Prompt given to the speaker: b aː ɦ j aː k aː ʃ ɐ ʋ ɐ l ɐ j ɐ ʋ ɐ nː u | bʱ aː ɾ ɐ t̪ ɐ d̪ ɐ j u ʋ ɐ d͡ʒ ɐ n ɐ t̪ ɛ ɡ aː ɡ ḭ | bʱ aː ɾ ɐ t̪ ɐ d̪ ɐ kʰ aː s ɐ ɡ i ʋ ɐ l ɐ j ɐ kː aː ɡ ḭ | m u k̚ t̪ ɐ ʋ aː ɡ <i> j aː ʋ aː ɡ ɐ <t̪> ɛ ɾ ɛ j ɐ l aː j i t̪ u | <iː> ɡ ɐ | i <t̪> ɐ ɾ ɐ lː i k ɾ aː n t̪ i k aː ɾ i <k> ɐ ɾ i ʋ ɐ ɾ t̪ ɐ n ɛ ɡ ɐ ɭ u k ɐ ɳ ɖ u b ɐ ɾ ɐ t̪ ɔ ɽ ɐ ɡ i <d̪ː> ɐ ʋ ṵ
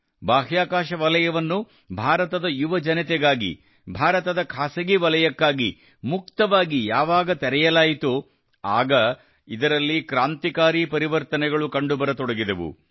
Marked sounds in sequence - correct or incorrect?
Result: correct, correct, incorrect: aː, incorrect: d̪, incorrect: p, incorrect: d̪

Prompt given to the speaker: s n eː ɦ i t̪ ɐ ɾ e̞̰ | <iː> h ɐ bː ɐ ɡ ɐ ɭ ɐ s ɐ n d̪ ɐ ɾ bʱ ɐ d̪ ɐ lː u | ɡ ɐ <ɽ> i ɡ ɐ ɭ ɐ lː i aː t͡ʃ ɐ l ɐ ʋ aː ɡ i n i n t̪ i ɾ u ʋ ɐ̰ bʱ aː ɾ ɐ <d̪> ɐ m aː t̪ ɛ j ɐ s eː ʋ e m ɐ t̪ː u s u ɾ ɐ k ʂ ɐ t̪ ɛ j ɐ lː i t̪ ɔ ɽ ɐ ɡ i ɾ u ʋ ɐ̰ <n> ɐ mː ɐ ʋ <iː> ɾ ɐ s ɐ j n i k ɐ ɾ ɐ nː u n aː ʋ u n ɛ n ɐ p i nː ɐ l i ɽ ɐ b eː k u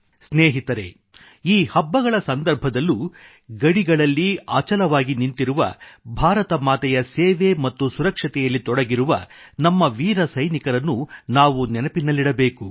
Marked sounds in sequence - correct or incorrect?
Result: correct, correct, incorrect: t̪, correct, correct

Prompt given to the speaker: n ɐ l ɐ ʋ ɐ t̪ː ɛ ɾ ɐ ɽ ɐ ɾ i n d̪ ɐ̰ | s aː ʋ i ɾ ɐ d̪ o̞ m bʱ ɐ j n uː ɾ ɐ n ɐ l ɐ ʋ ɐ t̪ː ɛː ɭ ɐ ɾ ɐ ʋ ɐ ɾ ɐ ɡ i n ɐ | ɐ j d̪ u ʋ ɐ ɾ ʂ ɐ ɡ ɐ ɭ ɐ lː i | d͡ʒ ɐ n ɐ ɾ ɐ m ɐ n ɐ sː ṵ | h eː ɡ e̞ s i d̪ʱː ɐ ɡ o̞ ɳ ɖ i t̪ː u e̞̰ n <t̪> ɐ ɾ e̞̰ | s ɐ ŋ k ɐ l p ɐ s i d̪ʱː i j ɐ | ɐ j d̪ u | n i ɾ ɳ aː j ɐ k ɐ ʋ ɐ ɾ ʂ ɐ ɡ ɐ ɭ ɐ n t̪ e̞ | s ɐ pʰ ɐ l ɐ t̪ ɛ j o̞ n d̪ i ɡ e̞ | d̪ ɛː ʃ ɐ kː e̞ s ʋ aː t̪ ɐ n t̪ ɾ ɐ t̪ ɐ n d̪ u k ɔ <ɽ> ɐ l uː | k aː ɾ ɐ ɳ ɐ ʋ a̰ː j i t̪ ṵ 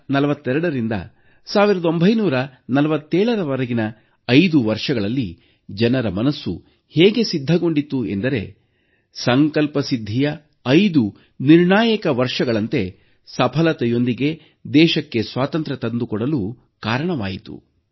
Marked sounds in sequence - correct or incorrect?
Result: incorrect: d̪, correct

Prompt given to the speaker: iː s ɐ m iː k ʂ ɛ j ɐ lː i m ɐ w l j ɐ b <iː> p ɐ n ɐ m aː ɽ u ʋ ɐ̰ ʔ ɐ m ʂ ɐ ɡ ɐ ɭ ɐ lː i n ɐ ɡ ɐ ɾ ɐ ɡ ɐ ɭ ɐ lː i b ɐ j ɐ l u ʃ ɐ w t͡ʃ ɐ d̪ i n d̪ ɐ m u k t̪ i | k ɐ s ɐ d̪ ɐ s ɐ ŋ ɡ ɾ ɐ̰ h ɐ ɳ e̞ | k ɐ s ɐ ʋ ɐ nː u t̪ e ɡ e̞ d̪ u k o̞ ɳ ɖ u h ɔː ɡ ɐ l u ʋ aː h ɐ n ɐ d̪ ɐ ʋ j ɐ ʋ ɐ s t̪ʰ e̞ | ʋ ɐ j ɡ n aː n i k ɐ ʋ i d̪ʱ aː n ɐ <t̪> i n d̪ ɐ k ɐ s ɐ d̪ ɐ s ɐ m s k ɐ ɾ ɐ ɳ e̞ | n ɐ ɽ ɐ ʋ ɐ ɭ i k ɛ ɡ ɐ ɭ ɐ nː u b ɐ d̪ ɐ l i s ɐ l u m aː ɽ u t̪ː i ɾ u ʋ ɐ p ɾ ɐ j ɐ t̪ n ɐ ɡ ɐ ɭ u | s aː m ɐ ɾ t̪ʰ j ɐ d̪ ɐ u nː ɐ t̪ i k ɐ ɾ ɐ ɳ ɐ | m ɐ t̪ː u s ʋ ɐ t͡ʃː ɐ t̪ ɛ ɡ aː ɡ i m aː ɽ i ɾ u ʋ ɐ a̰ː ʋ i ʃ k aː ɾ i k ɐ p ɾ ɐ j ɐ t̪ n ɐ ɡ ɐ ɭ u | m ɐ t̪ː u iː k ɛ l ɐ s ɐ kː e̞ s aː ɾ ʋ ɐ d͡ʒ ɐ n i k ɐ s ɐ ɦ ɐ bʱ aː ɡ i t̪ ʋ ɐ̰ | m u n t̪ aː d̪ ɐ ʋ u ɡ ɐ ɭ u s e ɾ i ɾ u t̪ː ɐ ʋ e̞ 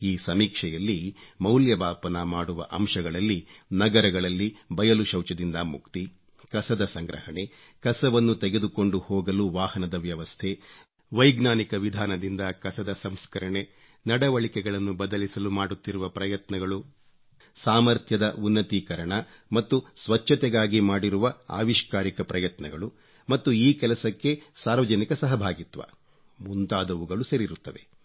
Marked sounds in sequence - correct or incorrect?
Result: incorrect: aː, incorrect: d̪

